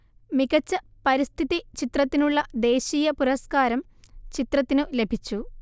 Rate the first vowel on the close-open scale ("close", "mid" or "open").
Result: close